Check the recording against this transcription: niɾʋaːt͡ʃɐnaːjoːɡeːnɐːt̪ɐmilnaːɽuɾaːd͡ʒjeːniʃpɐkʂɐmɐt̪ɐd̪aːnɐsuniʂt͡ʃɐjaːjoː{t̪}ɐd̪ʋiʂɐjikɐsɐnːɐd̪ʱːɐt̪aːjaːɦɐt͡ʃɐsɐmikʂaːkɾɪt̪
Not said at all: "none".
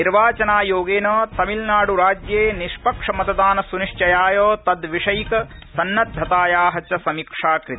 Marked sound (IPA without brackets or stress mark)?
t̪